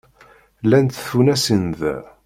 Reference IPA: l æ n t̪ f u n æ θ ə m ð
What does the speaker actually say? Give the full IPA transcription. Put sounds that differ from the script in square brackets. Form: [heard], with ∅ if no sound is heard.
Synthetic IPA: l æ n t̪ [θ] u n æ [s] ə [n] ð